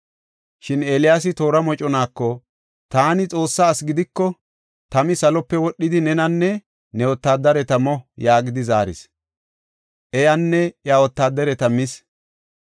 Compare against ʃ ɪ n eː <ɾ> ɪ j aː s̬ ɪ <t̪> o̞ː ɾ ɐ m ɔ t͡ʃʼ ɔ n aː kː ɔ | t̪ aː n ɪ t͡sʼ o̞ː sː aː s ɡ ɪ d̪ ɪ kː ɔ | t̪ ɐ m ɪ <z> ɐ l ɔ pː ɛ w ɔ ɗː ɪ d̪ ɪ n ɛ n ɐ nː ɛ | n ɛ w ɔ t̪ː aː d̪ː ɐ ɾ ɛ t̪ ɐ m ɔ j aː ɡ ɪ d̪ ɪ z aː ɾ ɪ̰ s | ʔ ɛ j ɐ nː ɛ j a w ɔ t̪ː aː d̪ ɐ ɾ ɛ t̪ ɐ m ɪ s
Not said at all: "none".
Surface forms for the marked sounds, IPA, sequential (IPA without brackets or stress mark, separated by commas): l, t̪, s